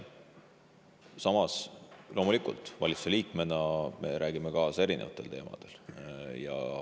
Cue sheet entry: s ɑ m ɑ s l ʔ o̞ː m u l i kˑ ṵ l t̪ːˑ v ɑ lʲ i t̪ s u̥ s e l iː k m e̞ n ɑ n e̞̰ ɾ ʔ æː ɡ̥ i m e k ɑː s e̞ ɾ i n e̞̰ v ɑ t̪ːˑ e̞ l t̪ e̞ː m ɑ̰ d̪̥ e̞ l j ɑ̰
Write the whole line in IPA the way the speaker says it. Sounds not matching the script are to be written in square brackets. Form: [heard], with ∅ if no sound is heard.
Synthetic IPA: s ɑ m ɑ s l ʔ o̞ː m u l i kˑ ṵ l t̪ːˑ v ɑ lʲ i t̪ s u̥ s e l iː k m e̞ n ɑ [m] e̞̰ ɾ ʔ æː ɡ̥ i m e k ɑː s e̞ ɾ i n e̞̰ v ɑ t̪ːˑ e̞ l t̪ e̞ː m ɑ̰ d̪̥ e̞ l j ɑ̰

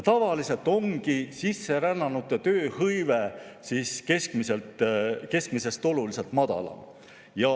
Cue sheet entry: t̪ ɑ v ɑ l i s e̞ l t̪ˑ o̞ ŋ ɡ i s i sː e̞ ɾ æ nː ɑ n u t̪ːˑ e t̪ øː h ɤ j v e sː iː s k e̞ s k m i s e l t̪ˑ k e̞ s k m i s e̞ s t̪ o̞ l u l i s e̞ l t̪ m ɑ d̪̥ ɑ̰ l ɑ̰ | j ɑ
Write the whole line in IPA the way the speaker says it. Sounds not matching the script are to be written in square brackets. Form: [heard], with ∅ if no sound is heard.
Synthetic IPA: t̪ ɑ v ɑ l i s e̞ l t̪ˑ o̞ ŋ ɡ i s i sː e̞ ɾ æ nː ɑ n u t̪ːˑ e t̪ øː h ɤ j v e [s] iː s k e̞ s k m i s e l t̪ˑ k e̞ s k m i s e̞ s t̪ o̞ l u l i s e̞ l t̪ m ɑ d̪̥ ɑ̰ l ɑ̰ | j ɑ

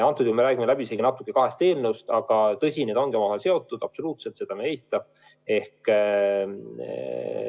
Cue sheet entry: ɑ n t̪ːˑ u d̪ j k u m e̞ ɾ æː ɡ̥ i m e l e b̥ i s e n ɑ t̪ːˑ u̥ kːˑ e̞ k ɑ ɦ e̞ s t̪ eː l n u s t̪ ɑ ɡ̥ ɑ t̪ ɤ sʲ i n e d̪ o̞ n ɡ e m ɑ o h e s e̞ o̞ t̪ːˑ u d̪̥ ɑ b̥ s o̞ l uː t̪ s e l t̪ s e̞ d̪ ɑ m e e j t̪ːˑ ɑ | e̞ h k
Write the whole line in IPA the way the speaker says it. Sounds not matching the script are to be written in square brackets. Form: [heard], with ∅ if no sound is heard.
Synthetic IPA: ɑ n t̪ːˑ u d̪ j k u m e̞ ɾ æː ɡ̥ i m e l [æ] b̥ i s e n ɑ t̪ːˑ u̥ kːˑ e̞ k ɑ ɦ e̞ s t̪ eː l n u s t̪ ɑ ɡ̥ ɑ t̪ ɤ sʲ i n e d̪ o̞ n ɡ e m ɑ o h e s e̞ o̞ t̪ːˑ u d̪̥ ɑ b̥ s o̞ l uː t̪ s e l t̪ s e̞ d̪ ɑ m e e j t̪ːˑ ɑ | e̞ h k

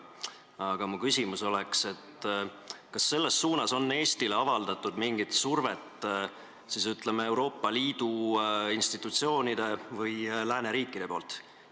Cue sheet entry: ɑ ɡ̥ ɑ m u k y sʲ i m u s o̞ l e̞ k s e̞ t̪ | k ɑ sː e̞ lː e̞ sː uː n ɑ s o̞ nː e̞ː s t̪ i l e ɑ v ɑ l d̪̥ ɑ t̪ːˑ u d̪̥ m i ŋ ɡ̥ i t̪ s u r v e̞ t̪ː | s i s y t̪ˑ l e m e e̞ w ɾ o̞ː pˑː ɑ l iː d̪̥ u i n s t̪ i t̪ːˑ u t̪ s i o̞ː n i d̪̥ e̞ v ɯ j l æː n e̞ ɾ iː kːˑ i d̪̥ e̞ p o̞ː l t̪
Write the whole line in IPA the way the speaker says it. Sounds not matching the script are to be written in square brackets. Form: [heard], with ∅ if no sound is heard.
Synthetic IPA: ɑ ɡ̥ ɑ m u k y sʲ i m u s o̞ l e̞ k s e̞ t̪ | k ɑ sː e̞ lː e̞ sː uː n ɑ s o̞ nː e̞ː s t̪ i l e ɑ v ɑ l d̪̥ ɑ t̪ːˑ u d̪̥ m i ŋ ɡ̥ i t̪ s u r v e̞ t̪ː | s i s y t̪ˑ l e m e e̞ w ɾ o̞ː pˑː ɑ l iː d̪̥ u i n s t̪ i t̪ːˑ u t̪ s i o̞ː n i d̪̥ e̞ v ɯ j l æː n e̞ ɾ iː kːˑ i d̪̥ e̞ p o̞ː l t̪

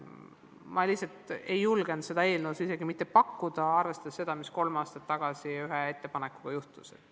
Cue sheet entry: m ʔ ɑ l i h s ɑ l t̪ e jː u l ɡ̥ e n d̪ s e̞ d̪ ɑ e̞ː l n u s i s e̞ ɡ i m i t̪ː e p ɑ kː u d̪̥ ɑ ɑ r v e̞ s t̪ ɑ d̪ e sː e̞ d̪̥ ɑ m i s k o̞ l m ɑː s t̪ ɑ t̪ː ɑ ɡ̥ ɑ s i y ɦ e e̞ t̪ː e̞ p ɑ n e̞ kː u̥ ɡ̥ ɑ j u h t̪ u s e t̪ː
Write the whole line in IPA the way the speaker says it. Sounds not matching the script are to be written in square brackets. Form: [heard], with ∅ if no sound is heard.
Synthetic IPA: m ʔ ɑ l i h s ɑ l t̪ e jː u l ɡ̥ e n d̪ s e̞ d̪ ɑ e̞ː l n u s i s e̞ ɡ i m i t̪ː e p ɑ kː u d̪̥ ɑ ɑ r v e̞ s t̪ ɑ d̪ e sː e̞ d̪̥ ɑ m i s k o̞ l m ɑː s t̪ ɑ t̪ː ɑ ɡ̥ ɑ s i y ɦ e e̞ t̪ː e̞ p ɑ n e̞ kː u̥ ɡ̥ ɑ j u h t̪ u s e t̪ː

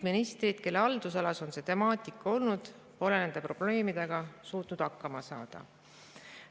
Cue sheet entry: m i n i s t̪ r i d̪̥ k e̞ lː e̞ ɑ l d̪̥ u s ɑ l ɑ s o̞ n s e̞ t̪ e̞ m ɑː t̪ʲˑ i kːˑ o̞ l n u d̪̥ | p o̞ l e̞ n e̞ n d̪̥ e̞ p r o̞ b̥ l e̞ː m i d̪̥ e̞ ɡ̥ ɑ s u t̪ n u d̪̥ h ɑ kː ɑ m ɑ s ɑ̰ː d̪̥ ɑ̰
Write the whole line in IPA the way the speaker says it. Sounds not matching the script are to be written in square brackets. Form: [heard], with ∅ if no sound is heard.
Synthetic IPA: m i n i s t̪ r i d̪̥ k e̞ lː e̞ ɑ l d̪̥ u s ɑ l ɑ s o̞ n s e̞ t̪ e̞ m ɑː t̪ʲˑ i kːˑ o̞ l n u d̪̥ | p o̞ l e̞ n e̞ n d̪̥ e̞ p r o̞ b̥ l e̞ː m i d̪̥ e̞ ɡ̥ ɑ s [uː] t̪ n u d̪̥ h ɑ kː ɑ m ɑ s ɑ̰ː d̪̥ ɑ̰

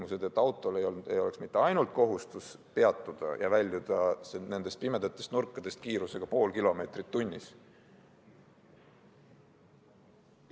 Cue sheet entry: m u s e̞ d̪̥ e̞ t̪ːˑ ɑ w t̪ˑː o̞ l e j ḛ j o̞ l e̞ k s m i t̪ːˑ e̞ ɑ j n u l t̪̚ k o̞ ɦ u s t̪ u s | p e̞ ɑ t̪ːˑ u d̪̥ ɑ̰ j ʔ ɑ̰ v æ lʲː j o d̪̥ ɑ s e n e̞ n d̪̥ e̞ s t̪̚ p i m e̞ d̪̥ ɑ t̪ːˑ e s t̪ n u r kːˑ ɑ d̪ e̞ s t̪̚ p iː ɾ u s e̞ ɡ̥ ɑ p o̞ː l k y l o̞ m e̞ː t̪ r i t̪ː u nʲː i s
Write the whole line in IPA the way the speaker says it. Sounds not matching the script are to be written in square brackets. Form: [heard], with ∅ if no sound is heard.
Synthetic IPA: m u s e̞ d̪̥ e̞ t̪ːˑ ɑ w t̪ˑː o̞ l e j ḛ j o̞ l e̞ k s m i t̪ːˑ e̞ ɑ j n u l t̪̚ k o̞ ɦ u s t̪ u s | p e̞ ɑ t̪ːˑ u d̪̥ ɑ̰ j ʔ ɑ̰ v æ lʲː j [u] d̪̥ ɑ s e n e̞ n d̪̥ e̞ s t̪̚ p i m e̞ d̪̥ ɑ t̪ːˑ e s t̪ n u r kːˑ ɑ d̪ e̞ s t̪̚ [k] iː ɾ u s e̞ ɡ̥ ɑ p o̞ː l k [i] l o̞ m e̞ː t̪ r i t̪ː u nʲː i s

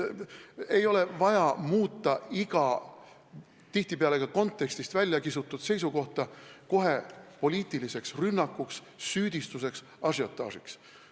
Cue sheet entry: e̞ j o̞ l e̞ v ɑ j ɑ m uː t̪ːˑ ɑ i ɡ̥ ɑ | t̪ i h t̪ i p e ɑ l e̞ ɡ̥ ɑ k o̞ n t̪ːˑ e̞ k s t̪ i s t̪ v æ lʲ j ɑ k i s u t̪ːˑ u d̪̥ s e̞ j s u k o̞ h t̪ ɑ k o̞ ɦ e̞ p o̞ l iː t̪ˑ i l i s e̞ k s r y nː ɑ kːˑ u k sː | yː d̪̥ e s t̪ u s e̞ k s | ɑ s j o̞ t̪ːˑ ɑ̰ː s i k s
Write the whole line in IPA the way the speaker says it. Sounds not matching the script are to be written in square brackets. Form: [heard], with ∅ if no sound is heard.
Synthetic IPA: e̞ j o̞ l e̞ v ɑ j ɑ m uː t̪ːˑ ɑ i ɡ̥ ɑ | t̪ i h t̪ i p e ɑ l e̞ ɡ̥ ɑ k o̞ n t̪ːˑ e̞ k s t̪ i s t̪ v æ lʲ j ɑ k i s u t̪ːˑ u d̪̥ s e̞ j s u k o̞ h t̪ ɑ k o̞ ɦ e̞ p o̞ l iː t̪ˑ i l i s e̞ k s r y nː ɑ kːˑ u k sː | yː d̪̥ [i] s t̪ u s e̞ k s | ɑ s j o̞ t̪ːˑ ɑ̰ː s i k s

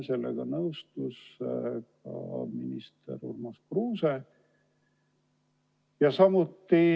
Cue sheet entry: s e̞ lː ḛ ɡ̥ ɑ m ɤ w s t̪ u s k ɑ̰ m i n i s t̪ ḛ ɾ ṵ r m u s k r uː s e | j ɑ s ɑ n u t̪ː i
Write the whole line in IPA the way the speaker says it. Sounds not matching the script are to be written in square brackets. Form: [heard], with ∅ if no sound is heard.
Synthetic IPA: s e̞ lː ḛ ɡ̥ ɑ [n] ɤ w s t̪ u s k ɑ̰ m i n i s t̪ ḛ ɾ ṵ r m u s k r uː s e | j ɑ s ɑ [m] u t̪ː i

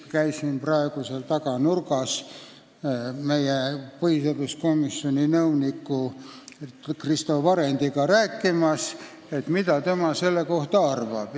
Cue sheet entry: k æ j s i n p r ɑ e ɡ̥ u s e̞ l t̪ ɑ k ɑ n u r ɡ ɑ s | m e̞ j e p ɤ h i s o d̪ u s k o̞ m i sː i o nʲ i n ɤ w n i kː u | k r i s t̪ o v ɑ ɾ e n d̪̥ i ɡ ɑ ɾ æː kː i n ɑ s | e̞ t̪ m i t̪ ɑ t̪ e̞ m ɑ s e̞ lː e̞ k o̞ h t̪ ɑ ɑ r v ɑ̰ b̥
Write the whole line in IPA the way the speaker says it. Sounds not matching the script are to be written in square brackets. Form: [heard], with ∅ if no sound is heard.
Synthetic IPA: k æ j s i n p r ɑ e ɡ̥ u s e̞ l t̪ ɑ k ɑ n u r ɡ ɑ s | m e̞ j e p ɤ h i s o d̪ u s k o̞ m i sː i o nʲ i n ɤ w n i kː u | k r i s t̪ o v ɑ ɾ e n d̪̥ i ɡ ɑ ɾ æː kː i [m] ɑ s | e̞ t̪ m i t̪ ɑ t̪ e̞ m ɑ s e̞ lː e̞ k o̞ h t̪ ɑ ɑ r v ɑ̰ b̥

